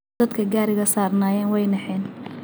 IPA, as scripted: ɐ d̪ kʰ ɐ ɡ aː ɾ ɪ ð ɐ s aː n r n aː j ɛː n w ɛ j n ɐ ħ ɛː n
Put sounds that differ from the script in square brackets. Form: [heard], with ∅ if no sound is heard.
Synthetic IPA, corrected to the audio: ɐ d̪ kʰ ɐ ɡ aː ɾ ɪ [ɣ] ɐ s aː [∅] r n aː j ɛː n w ɛ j n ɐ ħ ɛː n